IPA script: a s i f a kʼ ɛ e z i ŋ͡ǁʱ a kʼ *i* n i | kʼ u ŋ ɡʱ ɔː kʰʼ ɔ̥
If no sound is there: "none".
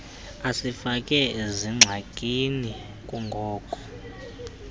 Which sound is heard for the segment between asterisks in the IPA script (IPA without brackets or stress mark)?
i